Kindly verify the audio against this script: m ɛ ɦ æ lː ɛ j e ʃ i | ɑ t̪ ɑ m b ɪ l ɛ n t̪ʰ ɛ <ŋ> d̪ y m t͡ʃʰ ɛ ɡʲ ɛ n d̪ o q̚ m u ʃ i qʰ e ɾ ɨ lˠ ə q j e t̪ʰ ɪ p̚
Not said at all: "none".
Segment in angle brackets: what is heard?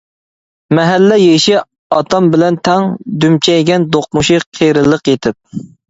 ŋ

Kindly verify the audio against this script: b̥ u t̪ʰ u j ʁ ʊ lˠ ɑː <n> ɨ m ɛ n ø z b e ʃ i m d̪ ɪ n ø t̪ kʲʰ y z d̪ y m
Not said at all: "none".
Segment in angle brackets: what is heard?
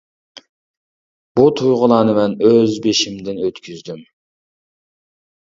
n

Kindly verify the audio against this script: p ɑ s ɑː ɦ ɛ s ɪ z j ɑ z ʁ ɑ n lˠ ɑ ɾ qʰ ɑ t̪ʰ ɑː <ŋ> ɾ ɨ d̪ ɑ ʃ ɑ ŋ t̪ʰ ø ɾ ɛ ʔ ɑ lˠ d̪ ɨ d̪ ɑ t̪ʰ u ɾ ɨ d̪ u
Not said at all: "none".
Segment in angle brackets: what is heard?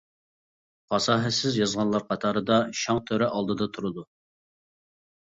none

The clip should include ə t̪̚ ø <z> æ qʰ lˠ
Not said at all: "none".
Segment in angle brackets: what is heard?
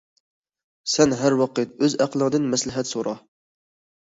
z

